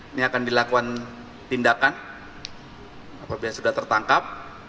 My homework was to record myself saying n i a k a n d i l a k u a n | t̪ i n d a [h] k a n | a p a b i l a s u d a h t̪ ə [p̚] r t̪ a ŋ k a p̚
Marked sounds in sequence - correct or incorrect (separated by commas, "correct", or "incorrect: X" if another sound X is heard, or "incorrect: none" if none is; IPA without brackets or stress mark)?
incorrect: none, incorrect: none